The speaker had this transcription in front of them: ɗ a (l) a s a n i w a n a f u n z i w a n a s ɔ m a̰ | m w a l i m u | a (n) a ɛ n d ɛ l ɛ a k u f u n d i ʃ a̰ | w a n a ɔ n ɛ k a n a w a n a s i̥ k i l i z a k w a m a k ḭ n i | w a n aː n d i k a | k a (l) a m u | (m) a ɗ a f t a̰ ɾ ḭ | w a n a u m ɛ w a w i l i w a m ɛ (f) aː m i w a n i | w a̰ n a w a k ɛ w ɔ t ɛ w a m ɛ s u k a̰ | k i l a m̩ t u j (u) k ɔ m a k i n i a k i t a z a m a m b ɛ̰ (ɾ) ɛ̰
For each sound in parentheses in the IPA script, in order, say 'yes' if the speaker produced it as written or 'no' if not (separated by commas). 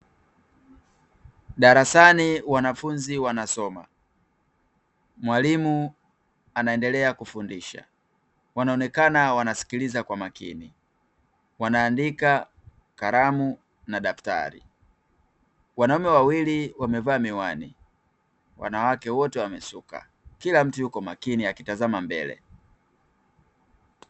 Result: no, yes, no, no, no, yes, no